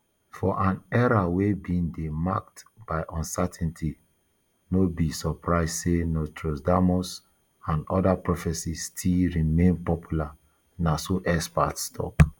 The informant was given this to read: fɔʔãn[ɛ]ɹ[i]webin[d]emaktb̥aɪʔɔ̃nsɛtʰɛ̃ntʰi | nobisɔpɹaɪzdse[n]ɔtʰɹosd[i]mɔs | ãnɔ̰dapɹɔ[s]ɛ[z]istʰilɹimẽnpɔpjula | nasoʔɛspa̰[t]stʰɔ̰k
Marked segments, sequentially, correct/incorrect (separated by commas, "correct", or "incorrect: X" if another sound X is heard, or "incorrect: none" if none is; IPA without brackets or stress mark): correct, incorrect: a, correct, correct, incorrect: a, incorrect: f, incorrect: s, correct